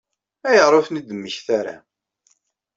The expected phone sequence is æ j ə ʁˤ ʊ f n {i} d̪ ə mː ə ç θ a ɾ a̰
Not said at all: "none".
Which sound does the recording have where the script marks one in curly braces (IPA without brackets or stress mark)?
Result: i